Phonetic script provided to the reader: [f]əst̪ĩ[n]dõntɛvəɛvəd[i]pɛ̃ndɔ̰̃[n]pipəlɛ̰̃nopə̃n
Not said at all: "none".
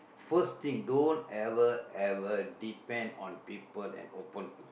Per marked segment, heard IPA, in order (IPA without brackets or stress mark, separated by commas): f, ŋ, i, n